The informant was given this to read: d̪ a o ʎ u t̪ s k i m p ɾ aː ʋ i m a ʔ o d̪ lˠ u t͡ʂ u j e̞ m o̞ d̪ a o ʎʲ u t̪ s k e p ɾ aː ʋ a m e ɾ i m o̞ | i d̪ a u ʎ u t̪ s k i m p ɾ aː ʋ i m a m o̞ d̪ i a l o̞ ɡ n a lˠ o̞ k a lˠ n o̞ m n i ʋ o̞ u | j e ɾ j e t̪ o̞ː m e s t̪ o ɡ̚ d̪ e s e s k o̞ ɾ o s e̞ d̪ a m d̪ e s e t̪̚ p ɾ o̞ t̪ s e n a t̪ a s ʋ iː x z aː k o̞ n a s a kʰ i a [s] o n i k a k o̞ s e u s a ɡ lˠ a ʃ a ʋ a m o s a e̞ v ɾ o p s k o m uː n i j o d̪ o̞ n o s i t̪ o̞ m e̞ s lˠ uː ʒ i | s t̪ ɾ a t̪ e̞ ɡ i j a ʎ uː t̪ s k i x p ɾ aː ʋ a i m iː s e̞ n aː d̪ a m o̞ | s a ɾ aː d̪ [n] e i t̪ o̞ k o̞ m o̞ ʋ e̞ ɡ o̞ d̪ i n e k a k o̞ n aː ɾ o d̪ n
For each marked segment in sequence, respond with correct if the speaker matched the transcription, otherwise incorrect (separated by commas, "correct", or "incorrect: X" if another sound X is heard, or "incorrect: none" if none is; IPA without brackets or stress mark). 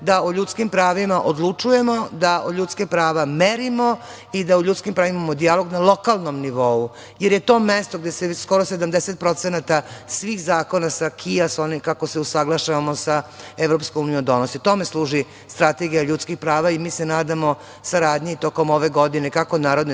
correct, incorrect: ɲ